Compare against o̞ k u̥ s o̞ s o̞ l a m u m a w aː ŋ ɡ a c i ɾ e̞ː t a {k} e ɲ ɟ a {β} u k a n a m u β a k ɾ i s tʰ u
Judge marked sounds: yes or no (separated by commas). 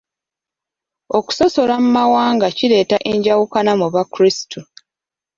no, no